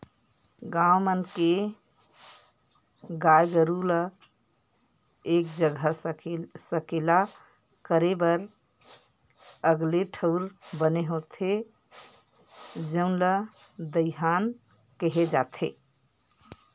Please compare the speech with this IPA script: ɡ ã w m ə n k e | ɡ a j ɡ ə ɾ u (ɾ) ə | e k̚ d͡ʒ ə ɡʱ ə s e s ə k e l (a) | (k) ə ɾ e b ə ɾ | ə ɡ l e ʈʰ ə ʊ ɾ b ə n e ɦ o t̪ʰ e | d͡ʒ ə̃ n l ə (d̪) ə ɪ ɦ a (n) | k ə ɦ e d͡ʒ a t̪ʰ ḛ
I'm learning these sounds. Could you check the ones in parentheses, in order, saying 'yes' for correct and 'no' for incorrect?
no, yes, yes, yes, yes

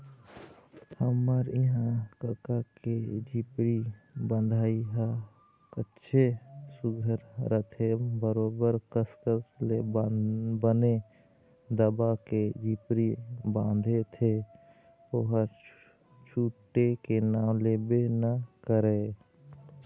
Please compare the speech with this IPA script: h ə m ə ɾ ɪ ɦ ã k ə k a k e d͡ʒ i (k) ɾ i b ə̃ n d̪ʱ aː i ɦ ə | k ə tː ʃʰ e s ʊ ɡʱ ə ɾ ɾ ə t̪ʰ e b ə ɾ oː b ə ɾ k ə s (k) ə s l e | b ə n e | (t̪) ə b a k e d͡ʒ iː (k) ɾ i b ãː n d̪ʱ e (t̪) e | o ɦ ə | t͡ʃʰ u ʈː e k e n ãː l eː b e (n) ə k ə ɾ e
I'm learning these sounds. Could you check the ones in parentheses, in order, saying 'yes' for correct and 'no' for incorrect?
no, yes, no, no, no, yes

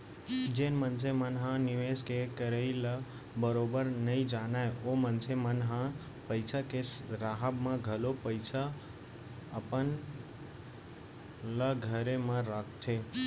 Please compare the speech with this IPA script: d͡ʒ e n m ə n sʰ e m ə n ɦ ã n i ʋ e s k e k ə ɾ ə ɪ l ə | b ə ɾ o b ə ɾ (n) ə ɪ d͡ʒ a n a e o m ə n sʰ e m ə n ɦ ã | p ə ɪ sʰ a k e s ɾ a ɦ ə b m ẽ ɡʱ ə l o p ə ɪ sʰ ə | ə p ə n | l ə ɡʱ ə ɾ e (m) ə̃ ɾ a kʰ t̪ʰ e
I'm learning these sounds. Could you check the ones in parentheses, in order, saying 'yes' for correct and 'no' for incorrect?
yes, yes

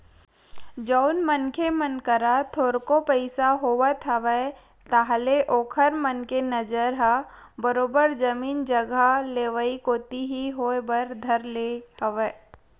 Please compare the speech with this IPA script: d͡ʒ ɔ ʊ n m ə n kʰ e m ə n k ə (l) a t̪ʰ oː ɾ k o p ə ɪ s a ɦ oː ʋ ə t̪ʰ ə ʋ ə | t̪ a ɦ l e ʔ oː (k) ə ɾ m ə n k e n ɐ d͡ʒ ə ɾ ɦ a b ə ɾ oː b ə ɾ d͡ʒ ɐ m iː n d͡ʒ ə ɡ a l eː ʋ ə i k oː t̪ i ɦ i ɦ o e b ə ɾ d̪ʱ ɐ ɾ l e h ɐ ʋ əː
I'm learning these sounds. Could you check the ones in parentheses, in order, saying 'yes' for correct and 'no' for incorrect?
no, no

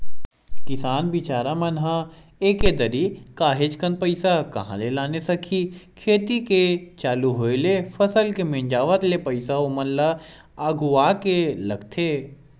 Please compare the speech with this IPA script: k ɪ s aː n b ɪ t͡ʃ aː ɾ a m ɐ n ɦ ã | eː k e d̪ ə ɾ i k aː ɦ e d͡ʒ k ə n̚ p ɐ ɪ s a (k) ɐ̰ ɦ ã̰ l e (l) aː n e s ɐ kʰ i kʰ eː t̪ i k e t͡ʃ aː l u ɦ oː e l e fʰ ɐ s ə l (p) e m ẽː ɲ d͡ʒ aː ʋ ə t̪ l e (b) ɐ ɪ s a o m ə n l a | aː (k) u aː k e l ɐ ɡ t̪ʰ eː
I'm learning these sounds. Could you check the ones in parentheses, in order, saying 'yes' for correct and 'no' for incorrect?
yes, yes, no, no, no

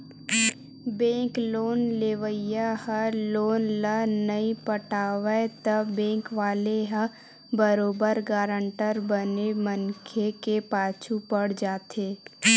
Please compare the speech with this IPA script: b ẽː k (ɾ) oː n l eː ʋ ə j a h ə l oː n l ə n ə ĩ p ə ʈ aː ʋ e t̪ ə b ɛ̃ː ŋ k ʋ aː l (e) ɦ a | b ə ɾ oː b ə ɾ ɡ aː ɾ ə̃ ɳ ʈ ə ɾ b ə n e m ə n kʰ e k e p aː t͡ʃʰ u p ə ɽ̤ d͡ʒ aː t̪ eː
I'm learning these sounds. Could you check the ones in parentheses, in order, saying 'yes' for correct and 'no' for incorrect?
no, yes

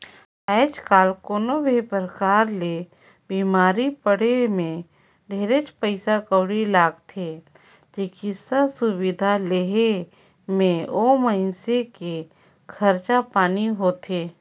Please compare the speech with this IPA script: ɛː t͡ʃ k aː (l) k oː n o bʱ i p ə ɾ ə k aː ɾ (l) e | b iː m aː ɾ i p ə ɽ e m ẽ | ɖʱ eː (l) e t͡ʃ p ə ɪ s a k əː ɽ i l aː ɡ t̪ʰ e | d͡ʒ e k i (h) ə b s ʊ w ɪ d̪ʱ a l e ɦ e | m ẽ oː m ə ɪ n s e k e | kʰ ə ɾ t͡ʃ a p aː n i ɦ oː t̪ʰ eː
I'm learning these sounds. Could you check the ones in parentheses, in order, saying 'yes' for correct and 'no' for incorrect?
yes, yes, no, no

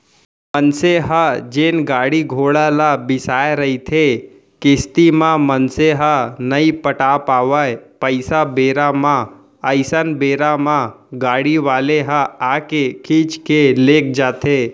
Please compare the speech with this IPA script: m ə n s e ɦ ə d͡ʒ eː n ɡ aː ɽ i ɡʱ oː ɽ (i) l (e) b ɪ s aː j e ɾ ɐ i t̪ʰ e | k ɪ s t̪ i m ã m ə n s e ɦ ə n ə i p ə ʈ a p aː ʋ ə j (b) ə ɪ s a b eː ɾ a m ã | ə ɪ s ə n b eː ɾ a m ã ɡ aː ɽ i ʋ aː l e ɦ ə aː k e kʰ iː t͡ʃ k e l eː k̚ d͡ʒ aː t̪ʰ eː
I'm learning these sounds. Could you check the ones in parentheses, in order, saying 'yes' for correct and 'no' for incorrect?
no, no, no

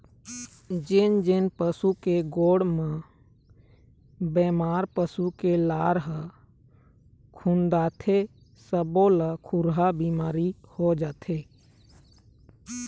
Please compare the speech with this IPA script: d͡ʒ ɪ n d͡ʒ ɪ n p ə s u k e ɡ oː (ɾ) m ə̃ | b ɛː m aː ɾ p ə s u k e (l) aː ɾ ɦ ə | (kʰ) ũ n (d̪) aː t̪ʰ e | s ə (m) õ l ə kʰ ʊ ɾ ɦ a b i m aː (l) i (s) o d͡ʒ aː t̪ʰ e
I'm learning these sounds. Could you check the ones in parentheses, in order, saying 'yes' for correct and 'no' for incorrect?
no, yes, yes, yes, no, no, no

